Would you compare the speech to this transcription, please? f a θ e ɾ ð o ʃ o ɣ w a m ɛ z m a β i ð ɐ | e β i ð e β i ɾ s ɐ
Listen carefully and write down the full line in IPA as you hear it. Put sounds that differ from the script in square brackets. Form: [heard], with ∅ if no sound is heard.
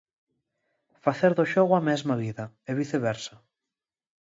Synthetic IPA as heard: f a θ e ɾ ð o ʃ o ɣ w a m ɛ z m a β i ð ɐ | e β i [θ] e β [ɛ] ɾ s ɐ